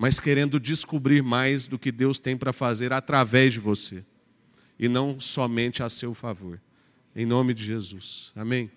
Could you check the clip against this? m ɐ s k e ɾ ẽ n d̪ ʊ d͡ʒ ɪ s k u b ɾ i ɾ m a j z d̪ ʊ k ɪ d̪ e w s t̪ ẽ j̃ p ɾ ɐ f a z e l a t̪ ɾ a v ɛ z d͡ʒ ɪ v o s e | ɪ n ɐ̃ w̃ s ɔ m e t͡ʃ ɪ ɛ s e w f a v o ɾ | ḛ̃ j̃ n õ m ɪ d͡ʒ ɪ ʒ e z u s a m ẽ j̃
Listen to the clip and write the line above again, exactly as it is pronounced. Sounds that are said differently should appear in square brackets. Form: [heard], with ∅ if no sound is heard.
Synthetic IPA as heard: m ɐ s k e ɾ ẽ n d̪ ʊ d͡ʒ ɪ s k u b ɾ i ɾ m a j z d̪ ʊ k ɪ d̪ e w s t̪ ẽ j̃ p ɾ ɐ f a z e [ɾ] a t̪ ɾ a v ɛ z d͡ʒ ɪ v o s e | ɪ n ɐ̃ w̃ s ɔ m [ẽ] t͡ʃ ɪ [a] s e w f a v o ɾ | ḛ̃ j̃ n õ m ɪ d͡ʒ ɪ ʒ e z u s a m ẽ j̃